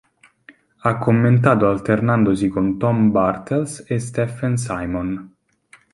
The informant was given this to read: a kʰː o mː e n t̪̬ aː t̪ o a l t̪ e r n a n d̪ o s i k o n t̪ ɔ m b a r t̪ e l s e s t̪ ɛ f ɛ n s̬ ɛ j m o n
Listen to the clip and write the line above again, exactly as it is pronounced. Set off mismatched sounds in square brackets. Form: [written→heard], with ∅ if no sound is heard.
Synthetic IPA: a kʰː o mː e n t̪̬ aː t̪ o a l t̪ e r n a n d̪ o s i k o n t̪ ɔ m b a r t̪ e l s e s t̪ ɛ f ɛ n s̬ [ɛ→a] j m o n